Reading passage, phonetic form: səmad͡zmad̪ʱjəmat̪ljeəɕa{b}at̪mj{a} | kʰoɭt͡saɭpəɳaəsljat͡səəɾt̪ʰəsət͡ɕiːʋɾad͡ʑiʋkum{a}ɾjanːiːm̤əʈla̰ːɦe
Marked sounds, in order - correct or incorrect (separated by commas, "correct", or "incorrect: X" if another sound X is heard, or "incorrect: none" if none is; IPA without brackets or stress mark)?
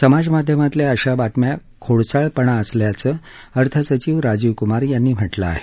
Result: correct, correct, correct